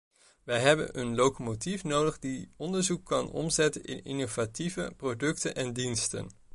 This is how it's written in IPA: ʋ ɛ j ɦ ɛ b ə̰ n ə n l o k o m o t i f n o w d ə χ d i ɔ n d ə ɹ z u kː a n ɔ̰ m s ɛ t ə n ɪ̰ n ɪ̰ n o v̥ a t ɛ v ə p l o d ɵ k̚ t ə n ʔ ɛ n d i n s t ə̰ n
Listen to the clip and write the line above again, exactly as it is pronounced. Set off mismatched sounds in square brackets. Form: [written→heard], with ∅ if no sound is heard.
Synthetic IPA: ʋ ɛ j ɦ ɛ b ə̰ n ə n l o k o m o t i f n o w d ə χ d i ɔ n d ə ɹ z u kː [a→ɑ] n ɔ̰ m [s→z] ɛ t ə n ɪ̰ n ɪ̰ n o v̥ a t [ɛ→i] v ə p [l→r] o d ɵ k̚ t ə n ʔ ɛ n d i n s t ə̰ n